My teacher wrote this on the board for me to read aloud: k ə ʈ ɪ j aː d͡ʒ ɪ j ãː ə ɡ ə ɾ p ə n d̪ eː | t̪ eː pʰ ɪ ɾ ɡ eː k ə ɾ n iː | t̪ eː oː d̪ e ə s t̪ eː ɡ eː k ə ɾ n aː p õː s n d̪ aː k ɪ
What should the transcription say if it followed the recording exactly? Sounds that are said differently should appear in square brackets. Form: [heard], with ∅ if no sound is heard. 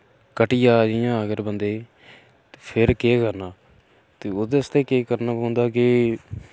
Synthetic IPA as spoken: k ə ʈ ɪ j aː d͡ʒ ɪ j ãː ə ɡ ə ɾ [b] ə n d̪ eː | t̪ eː pʰ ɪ ɾ [k] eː k ə ɾ n [aː] | t̪ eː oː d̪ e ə s t̪ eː [k] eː k ə ɾ n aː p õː [∅] n d̪ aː k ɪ